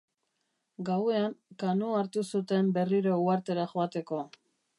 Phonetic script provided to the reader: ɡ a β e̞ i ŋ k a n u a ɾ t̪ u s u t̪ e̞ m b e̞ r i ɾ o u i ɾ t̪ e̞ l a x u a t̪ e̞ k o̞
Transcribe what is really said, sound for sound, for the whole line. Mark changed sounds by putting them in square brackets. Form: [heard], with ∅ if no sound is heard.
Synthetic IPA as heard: ɡ a [w] e̞ [a] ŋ k a n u a ɾ t̪ u s u t̪ e̞ m b e̞ r i ɾ o u [a] ɾ t̪ e̞ [ɾ] a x [o] a t̪ e̞ k o̞

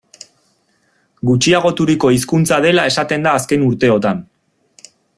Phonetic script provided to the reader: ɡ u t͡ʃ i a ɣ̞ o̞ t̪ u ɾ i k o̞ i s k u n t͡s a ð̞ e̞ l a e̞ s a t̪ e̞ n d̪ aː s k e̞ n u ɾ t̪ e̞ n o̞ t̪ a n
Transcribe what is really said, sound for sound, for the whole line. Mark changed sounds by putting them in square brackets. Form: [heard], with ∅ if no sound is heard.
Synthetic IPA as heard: ɡ u t͡ʃ i a ɣ̞ o̞ t̪ u ɾ i k o̞ i s k u n t͡s a ð̞ e̞ l a e̞ s a t̪ e̞ n d̪ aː s k e̞ n u ɾ t̪ e̞ [∅] o̞ t̪ a n

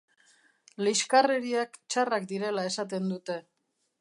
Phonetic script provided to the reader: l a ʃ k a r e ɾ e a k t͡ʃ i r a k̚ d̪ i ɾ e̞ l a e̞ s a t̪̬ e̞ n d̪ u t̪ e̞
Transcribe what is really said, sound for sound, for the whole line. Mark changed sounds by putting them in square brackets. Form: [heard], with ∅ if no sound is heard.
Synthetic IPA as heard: l [i] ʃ k a r e ɾ [i] a k t͡ʃ [a] r a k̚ d̪ i ɾ e̞ l a e̞ s a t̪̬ e̞ n d̪ u t̪ e̞

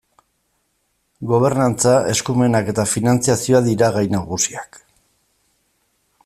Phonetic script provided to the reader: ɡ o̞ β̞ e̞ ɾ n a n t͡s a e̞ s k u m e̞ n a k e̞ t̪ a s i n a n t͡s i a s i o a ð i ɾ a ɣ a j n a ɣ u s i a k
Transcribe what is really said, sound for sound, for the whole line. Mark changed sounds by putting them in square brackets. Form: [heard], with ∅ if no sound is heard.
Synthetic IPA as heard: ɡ o̞ β̞ e̞ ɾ n a n t͡s a e̞ s k u m e̞ n a k e̞ t̪ a [f] i n a n t͡s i a s i o a ð i ɾ a ɣ a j n a ɣ u s i a k

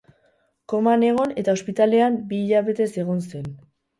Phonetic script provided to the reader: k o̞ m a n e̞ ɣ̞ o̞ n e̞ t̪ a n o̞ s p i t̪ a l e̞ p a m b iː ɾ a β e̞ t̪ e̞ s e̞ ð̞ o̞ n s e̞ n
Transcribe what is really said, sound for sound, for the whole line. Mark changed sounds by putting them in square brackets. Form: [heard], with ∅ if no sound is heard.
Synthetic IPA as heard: k o̞ m a n e̞ ɣ̞ o̞ n e̞ t̪ a [∅] o̞ s p i t̪ a l e̞ [∅] a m b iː [ʎ] a β e̞ t̪ e̞ s e̞ [ɣ̞] o̞ n s e̞ n

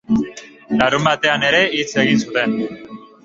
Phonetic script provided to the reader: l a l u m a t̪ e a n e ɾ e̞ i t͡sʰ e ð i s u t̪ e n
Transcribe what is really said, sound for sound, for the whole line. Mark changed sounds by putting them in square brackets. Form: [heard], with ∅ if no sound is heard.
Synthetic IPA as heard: l a [ɾ] u m a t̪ e a n e ɾ e̞ i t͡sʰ e [ɣ] i s u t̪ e n

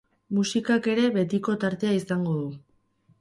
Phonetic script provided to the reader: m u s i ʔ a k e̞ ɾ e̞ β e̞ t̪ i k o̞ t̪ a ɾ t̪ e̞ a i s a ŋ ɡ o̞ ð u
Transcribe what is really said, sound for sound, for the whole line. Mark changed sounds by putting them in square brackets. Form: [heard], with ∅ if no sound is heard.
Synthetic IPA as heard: m u s i [k] a k e̞ ɾ e̞ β e̞ t̪ i k o̞ t̪ a ɾ t̪ e̞ a i s a ŋ ɡ o̞ ð u

